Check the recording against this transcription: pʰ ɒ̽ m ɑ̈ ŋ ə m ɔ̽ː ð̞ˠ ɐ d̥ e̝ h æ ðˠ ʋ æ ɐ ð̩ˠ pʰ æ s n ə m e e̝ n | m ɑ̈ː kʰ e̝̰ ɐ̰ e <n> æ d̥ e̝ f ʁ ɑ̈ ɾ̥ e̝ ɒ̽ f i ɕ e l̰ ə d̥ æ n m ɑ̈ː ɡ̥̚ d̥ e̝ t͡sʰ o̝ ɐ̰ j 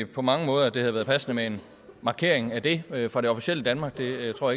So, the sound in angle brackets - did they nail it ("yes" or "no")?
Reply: no